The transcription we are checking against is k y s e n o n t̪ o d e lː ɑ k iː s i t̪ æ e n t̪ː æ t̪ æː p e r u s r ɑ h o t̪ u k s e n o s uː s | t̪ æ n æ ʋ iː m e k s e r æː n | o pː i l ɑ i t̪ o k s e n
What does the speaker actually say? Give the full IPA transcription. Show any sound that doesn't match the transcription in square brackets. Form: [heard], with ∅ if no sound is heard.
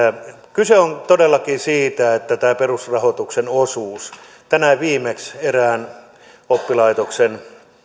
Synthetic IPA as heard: k y s e [∅] o n t̪ o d e lː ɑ k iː s [iː] t̪ æ e [∅] t̪ː æ t̪ æː p e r u s r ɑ h o t̪ u k s e n o s uː s | t̪ æ n æ ʋ iː m e k s e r æː n | o pː i l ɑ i t̪ o k s e n